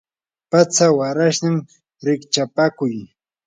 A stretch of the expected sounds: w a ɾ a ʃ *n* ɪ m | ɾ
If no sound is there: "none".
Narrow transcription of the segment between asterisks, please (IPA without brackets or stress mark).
n